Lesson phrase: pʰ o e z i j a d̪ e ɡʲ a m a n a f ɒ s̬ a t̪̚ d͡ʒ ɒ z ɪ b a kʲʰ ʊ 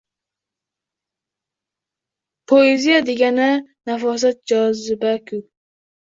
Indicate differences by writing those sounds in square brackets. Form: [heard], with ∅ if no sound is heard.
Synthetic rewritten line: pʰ o e z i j a d̪ e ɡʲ a [n] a n a f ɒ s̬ a t̪̚ d͡ʒ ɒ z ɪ b a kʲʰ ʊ